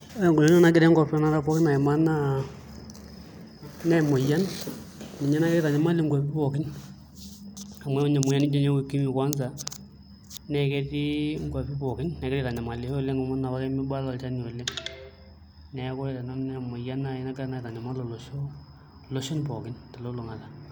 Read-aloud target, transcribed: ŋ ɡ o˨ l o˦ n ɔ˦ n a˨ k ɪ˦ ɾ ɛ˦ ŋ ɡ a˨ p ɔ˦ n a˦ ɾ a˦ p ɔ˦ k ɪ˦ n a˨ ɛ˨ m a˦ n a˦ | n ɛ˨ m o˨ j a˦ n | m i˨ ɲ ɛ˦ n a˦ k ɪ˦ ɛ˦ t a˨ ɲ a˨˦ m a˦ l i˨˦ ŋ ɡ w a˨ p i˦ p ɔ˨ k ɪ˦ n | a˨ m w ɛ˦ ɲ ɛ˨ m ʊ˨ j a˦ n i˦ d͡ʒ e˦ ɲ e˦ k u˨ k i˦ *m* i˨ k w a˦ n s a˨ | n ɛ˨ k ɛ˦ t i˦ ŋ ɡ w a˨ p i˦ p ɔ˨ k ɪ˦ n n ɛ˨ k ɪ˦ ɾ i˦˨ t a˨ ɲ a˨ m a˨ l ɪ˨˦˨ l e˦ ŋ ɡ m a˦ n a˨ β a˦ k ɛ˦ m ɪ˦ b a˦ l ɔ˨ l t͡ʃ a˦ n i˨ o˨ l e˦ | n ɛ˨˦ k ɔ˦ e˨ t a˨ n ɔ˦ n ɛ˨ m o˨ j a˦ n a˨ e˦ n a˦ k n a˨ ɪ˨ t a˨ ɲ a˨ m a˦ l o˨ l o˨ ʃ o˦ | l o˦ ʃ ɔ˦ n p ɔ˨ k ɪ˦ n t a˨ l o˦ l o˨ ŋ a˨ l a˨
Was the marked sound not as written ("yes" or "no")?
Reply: no